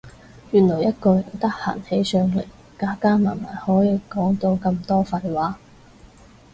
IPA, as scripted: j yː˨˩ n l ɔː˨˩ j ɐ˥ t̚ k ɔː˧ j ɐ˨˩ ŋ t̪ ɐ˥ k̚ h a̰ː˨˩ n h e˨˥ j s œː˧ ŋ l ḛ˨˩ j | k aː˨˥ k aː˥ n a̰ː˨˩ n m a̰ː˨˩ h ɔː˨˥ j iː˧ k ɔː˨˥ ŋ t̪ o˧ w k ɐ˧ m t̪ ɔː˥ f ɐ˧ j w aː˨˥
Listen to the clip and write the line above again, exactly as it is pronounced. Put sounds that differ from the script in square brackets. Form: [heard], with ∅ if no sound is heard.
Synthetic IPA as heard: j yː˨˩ n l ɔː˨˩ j ɐ˥ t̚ k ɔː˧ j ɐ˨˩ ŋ t̪ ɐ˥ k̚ h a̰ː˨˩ n h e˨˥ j s œː˧ ŋ l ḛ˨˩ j | k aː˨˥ k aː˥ [m] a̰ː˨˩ n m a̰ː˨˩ h ɔː˨˥ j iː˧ k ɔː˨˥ ŋ t̪ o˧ w k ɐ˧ m t̪ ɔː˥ f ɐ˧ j w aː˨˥

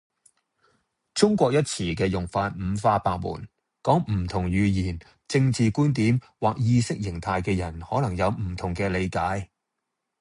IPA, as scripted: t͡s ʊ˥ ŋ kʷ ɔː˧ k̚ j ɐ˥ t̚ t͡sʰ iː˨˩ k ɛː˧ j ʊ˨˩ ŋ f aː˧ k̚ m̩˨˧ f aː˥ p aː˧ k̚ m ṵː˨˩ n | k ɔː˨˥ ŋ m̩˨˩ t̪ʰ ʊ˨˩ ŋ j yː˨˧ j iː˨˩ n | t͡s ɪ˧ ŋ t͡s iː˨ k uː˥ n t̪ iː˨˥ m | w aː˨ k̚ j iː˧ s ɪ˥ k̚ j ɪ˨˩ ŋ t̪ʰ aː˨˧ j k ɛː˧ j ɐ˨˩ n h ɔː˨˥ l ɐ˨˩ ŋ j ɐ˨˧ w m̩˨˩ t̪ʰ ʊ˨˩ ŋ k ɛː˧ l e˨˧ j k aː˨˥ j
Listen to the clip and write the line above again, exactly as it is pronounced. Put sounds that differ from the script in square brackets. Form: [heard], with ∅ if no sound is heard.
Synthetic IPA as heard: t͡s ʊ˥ ŋ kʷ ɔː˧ k̚ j ɐ˥ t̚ t͡sʰ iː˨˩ k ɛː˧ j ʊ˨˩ ŋ f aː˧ [t̚] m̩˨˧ f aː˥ p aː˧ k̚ m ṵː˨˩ n | k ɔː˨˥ ŋ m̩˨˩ t̪ʰ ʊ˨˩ ŋ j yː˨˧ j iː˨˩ n | t͡s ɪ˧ ŋ t͡s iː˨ k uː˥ n t̪ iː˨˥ m | w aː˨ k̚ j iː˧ s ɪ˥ k̚ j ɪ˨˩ ŋ t̪ʰ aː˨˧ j k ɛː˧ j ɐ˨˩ n h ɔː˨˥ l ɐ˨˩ ŋ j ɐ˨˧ w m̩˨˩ t̪ʰ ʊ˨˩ ŋ k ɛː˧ l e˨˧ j k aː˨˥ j

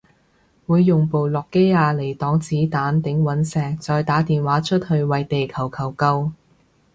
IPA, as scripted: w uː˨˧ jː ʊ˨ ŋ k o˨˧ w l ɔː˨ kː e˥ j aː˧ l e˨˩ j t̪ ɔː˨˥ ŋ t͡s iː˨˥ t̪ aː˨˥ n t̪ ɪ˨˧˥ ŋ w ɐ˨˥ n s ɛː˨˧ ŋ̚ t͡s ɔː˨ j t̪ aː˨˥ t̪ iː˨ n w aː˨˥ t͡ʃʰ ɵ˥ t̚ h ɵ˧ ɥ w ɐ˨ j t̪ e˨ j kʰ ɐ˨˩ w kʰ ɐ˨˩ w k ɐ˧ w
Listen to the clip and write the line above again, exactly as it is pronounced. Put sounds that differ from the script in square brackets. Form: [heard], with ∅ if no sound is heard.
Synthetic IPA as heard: w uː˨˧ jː ʊ˨ ŋ [p] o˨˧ w l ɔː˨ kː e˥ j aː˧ l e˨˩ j t̪ ɔː˨˥ ŋ t͡s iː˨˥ t̪ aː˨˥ n t̪ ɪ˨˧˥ ŋ w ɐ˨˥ n s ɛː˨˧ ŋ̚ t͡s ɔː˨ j t̪ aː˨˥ t̪ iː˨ n w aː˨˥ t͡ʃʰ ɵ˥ t̚ h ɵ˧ ɥ w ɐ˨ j t̪ e˨ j kʰ ɐ˨˩ w kʰ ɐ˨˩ w k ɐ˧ w

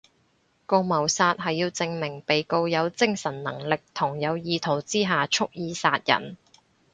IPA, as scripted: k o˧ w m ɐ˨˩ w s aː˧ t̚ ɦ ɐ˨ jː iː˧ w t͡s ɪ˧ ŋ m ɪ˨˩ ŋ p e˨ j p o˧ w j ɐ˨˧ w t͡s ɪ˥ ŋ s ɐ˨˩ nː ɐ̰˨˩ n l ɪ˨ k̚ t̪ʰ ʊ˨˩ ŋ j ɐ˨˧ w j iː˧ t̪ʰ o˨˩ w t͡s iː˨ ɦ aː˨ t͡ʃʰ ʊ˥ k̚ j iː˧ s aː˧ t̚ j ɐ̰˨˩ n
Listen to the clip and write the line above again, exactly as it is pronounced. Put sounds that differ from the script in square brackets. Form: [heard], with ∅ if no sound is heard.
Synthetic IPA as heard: k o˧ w m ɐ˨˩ w s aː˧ t̚ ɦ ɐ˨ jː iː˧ w t͡s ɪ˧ ŋ m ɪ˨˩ ŋ p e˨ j [k] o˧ w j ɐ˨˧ w t͡s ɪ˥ ŋ s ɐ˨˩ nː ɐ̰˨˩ [ŋ] l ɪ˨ k̚ t̪ʰ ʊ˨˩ ŋ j ɐ˨˧ w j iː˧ t̪ʰ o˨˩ w t͡s [iː˥] ɦ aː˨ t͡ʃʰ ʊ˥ k̚ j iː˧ s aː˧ t̚ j ɐ̰˨˩ n

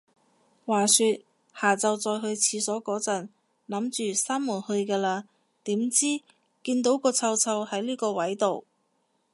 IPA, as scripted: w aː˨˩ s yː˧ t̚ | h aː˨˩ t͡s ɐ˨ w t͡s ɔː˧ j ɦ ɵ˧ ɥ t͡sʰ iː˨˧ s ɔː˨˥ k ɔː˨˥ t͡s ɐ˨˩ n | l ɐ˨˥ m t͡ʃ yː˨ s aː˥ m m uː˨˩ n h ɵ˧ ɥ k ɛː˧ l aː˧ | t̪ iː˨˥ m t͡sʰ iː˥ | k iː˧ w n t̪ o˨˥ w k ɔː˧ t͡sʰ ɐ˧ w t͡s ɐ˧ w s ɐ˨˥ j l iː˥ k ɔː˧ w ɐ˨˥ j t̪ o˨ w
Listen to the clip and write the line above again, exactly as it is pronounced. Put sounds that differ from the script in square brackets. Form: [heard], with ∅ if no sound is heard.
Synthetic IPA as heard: w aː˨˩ s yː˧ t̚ | h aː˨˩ t͡s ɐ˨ w t͡s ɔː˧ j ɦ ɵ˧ ɥ t͡sʰ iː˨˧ s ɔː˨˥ k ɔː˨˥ t͡s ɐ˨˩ n | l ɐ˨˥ m t͡ʃ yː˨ s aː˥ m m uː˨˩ n h ɵ˧ ɥ k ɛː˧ l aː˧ | t̪ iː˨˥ m [t͡s] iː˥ | k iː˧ [∅] n t̪ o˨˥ w k ɔː˧ t͡sʰ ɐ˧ w [t͡sʰ] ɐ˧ w [h] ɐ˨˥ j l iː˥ k ɔː˧ w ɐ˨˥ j t̪ o˨ w

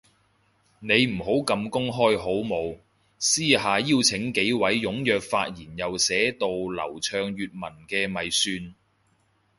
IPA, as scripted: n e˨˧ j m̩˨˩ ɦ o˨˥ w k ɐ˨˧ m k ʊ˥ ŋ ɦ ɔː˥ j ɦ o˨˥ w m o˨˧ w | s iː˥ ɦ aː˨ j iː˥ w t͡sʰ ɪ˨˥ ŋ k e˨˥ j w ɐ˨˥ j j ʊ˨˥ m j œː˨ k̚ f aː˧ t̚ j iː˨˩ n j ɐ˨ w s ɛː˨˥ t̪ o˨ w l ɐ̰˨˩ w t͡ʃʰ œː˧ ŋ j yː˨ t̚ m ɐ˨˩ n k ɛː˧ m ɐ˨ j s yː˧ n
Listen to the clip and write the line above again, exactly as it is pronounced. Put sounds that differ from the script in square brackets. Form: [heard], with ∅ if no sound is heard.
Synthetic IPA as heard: n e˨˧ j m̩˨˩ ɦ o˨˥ w k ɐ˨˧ m k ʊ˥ ŋ ɦ ɔː˥ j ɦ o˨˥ w m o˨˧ w | s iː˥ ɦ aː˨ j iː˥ w t͡sʰ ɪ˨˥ ŋ k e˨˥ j w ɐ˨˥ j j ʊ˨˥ [ŋ] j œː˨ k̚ f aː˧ t̚ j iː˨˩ n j ɐ˨ w s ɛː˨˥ t̪ o˨ w l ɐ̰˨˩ w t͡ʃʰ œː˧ ŋ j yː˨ t̚ m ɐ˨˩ n k ɛː˧ m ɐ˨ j s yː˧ n

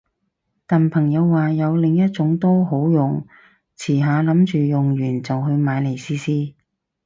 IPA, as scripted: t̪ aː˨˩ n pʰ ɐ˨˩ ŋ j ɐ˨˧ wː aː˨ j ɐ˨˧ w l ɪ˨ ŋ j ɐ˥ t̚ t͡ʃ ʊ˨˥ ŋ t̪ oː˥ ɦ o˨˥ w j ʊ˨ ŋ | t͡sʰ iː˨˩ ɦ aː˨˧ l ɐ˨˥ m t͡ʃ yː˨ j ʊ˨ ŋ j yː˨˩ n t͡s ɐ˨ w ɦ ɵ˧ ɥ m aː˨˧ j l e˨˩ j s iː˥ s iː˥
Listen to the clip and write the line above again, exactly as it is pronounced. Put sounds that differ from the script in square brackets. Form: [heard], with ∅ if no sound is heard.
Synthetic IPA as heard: t̪ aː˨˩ n pʰ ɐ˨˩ ŋ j ɐ˨˧ wː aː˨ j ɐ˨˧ w l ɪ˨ ŋ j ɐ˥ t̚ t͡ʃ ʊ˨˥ ŋ t̪ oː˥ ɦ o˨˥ w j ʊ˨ ŋ | t͡sʰ iː˨˩ ɦ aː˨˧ l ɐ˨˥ m t͡ʃ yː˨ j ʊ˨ ŋ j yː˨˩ n t͡s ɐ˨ w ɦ ɵ˧ ɥ m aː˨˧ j l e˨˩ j s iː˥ s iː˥

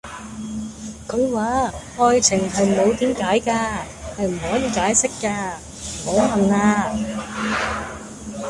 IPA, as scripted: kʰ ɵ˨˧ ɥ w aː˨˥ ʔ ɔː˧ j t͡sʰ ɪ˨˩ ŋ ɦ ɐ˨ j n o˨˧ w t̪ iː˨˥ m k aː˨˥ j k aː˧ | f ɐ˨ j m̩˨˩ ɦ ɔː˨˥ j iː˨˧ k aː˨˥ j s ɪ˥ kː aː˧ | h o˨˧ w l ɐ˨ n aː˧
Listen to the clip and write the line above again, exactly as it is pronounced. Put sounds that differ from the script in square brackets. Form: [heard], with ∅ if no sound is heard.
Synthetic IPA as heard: kʰ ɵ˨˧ ɥ w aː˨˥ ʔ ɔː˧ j t͡sʰ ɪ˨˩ ŋ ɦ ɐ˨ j [m] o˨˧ w t̪ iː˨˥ m k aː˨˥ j k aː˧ | [h] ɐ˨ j m̩˨˩ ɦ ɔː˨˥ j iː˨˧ k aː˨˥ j s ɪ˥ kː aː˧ | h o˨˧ w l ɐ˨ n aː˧

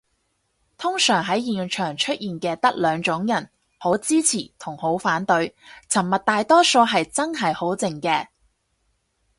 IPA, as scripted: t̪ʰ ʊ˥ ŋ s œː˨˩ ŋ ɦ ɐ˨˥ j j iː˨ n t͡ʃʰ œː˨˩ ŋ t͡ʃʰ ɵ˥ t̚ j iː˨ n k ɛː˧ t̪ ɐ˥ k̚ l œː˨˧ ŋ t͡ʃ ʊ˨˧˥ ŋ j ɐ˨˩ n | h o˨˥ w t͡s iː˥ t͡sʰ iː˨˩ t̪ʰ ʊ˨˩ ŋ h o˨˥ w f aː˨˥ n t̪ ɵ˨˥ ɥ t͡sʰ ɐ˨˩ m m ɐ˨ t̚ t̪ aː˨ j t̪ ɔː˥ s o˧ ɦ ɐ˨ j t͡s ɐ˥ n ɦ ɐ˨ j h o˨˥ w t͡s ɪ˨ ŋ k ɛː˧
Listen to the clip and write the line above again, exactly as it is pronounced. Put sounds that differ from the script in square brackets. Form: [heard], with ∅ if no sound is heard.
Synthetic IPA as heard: t̪ʰ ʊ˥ ŋ s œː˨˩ ŋ ɦ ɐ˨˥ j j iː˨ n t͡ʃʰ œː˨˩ ŋ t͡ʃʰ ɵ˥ t̚ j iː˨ n k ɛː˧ t̪ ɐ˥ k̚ l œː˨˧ ŋ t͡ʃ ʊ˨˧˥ ŋ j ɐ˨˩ n | h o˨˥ w t͡s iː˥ t͡sʰ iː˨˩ t̪ʰ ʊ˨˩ ŋ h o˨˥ w f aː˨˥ n t̪ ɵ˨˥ ɥ t͡sʰ ɐ˨˩ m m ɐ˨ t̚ t̪ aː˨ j t̪ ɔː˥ s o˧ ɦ ɐ˨ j t͡s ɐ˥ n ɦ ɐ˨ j h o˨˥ w t͡s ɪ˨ ŋ k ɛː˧

